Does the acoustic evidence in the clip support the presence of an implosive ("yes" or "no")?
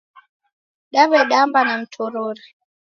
yes